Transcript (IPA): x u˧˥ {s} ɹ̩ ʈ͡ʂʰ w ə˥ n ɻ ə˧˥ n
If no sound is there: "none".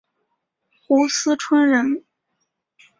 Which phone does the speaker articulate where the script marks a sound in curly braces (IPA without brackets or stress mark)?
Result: s